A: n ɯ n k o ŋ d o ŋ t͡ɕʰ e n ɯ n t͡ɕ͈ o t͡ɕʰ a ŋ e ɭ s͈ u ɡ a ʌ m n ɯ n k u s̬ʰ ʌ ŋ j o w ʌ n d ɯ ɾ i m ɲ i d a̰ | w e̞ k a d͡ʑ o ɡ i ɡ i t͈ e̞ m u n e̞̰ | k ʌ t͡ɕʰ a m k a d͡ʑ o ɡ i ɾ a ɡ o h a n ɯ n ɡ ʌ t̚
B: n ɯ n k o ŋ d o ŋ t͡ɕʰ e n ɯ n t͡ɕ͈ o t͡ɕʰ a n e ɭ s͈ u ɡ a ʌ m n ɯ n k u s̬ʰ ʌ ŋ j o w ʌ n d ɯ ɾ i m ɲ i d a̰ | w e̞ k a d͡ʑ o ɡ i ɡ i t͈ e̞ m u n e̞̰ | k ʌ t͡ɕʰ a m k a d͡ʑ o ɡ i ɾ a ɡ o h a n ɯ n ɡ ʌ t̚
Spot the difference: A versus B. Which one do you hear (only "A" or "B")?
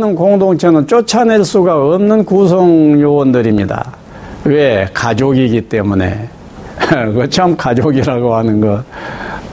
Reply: B